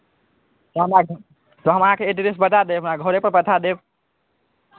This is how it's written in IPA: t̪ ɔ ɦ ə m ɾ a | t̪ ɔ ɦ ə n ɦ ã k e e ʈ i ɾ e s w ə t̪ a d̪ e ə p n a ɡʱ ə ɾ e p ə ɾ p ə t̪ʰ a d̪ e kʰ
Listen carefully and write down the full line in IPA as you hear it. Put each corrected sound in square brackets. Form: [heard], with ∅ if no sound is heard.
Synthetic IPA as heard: t̪ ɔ ɦ ə m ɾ a | t̪ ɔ ɦ ə [m] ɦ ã k e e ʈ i ɾ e s [b] ə t̪ a d̪ e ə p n a ɡʱ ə ɾ e p ə ɾ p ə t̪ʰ a d̪ e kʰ